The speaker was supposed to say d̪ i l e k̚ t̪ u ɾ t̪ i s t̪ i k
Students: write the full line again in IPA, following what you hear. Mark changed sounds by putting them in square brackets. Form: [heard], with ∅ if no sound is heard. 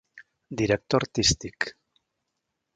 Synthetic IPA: d̪ i [ɾ] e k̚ t̪ [o] ɾ t̪ i s t̪ i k